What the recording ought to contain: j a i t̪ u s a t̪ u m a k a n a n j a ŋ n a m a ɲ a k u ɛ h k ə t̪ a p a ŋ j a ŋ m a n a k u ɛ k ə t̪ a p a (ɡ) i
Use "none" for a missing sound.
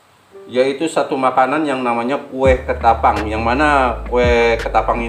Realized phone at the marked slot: ŋ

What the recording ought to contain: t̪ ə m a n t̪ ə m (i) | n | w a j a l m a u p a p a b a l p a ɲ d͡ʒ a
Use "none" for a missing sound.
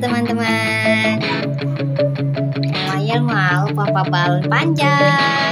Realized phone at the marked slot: a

